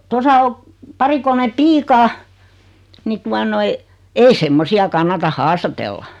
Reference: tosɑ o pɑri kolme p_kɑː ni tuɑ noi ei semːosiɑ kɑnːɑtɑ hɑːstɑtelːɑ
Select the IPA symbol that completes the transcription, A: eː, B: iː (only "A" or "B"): B